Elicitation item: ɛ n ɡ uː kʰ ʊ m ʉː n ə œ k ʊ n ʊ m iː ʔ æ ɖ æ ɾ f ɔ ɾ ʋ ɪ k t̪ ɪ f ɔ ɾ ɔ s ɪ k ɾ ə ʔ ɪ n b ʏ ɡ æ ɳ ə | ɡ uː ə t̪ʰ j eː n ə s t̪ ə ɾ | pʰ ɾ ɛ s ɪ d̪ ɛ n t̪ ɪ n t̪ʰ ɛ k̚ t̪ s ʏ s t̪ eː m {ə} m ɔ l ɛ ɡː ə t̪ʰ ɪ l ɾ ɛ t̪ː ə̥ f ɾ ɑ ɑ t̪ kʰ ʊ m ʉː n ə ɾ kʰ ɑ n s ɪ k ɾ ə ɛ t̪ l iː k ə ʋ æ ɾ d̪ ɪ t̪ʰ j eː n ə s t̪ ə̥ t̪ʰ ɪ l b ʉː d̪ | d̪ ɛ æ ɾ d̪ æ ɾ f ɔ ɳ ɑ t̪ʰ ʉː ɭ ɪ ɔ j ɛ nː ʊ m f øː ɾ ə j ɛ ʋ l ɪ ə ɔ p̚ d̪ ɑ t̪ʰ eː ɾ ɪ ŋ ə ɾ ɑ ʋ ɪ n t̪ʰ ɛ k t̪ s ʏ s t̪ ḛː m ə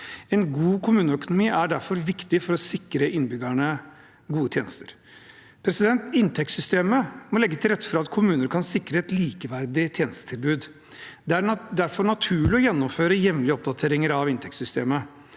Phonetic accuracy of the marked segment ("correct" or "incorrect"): correct